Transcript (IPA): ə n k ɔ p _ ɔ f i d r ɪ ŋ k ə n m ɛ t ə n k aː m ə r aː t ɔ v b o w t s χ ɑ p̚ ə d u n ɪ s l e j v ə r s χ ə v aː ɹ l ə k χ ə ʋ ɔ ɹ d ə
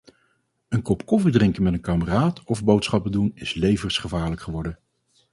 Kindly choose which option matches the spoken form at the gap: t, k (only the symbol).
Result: k